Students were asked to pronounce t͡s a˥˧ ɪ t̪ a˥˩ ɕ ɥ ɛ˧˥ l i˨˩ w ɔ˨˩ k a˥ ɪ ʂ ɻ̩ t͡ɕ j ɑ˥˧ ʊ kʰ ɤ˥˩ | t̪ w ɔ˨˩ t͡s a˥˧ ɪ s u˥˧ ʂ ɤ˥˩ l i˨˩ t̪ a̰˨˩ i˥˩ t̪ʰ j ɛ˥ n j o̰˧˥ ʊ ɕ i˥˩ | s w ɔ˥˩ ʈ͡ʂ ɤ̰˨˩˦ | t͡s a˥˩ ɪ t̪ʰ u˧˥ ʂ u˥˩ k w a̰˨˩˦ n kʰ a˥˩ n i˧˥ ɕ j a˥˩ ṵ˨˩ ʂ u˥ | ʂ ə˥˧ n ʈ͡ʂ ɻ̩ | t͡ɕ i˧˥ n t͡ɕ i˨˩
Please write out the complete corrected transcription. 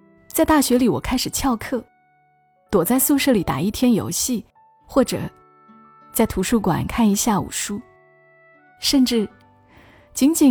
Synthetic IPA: t͡s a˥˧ ɪ t̪ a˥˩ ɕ ɥ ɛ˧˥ l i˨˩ w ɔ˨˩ kʰ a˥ ɪ ʂ ɻ̩ t͡ɕʰ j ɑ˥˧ ʊ kʰ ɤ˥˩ | t̪ w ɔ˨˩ t͡s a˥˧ ɪ s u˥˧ ʂ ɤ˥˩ l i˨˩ t̪ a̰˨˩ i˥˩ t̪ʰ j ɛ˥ n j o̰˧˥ ʊ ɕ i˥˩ | x w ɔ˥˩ ʈ͡ʂ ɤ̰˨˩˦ | t͡s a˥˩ ɪ t̪ʰ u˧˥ ʂ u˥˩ k w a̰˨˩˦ n kʰ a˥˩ n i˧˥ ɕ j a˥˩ ṵ˨˩ ʂ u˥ | ʂ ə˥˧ n ʈ͡ʂ ɻ̩ | t͡ɕ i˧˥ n t͡ɕ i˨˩